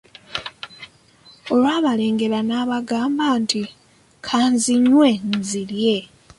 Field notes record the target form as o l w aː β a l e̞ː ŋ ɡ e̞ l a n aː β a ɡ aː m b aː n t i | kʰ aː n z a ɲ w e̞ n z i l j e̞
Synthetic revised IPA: o l w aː β a l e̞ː ŋ ɡ e̞ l a n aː β a ɡ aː m b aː n t i | kʰ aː n z i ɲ w e̞ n z i l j e̞